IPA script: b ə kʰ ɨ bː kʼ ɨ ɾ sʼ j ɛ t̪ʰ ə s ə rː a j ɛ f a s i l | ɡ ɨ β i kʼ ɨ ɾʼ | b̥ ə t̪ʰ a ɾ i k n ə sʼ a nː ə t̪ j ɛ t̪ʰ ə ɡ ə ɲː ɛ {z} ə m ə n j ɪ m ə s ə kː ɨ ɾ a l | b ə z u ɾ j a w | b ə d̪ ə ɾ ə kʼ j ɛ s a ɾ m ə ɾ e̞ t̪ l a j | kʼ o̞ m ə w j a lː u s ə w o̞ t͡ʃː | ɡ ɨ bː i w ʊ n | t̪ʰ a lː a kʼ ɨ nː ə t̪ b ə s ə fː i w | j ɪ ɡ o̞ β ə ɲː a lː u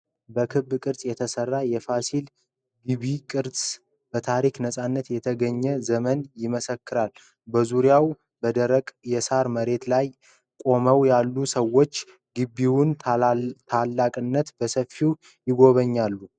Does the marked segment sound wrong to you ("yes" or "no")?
no